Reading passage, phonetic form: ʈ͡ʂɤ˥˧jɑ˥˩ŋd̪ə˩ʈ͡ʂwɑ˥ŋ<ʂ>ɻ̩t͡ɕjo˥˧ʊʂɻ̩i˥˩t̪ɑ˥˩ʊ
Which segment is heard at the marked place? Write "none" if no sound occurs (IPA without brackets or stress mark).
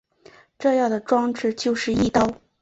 ʈ͡ʂ